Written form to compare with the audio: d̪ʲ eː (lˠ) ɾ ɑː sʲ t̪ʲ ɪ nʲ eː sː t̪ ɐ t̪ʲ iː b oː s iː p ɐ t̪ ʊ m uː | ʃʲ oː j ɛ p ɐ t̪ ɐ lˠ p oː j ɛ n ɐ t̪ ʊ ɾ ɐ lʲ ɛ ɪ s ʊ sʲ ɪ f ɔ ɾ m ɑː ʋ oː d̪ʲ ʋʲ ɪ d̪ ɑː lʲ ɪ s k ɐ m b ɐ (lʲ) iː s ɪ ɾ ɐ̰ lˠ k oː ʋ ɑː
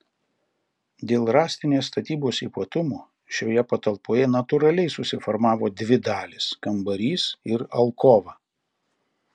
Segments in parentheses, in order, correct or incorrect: correct, incorrect: ɾʲ

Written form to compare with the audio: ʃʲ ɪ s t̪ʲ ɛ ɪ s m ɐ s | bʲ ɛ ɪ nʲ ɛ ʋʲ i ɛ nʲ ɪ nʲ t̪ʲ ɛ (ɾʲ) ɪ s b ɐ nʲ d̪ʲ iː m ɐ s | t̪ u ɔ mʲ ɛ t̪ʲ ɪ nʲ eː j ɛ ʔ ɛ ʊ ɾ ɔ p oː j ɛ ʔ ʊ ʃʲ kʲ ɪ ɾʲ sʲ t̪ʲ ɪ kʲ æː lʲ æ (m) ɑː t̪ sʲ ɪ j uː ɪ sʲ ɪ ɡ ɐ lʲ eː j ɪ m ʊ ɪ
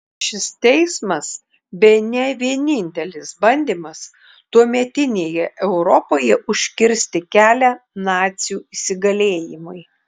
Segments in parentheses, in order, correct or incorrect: incorrect: lʲ, incorrect: n

